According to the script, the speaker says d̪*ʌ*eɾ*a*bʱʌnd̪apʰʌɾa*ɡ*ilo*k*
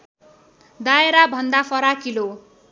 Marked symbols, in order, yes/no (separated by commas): no, yes, no, no